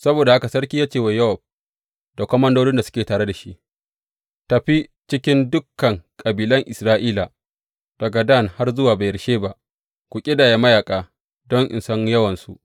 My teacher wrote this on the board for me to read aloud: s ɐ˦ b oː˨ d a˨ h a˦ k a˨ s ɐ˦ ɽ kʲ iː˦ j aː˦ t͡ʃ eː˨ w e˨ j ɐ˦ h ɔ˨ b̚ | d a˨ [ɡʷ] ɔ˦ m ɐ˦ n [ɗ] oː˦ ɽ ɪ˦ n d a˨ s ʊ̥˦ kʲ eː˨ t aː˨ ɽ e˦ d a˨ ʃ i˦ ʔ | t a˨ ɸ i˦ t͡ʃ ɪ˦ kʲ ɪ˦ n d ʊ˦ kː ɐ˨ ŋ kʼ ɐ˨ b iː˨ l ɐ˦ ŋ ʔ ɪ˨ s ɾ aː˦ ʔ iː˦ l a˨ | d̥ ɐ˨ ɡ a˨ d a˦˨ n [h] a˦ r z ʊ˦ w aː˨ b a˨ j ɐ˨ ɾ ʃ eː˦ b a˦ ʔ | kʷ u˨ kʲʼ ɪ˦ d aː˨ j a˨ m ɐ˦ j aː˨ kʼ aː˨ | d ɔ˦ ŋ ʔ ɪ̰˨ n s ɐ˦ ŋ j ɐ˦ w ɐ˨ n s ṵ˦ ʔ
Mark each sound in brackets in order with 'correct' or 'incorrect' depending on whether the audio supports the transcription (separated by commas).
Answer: incorrect, incorrect, correct